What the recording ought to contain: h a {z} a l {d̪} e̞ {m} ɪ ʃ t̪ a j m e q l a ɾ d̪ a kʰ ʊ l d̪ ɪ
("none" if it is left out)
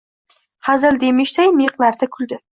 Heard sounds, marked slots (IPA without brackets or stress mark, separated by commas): z, d̪, m